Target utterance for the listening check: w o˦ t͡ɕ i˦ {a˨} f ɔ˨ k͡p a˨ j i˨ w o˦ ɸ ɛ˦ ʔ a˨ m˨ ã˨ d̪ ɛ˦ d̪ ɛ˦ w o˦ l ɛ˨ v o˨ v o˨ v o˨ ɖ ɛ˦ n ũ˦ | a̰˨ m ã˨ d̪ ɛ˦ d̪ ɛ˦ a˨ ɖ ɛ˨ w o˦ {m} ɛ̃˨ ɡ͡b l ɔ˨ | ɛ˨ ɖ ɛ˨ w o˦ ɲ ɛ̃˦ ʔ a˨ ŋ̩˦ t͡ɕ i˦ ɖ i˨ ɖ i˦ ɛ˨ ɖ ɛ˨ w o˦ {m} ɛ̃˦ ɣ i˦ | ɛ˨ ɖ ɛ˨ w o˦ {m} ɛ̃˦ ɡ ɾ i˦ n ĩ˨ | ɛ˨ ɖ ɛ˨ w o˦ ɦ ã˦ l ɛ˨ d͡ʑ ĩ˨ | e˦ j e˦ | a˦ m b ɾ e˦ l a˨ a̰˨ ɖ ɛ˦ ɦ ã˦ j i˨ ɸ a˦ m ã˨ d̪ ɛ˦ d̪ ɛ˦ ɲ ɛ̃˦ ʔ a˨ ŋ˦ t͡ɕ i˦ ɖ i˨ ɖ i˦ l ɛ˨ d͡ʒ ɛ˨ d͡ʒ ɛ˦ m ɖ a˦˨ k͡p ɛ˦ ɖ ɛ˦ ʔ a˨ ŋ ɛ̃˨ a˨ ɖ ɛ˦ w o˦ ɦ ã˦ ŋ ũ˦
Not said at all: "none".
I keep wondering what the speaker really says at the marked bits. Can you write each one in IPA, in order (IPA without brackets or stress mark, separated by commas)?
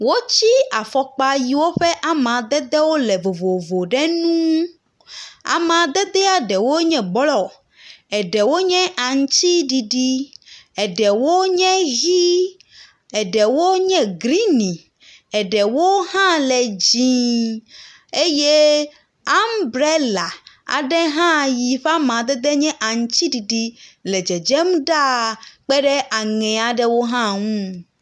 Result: a˨, ɲ, ɲ, ɲ